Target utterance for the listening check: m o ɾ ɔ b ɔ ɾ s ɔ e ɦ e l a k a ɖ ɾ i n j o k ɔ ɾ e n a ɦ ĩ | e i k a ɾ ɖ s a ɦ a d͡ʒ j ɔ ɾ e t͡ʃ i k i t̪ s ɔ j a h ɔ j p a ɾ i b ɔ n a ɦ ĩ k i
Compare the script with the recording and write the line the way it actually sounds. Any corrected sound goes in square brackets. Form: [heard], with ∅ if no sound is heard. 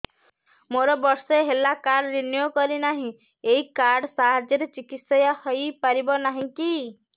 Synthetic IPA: m o ɾ ɔ b ɔ ɾ s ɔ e ɦ e l a k a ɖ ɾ i n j o k ɔ ɾ [i] n a ɦ ĩ | e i k a ɾ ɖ s a ɦ a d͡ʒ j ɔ ɾ e t͡ʃ i k i t̪ s ɔ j a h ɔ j p a ɾ i b ɔ n a ɦ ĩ k i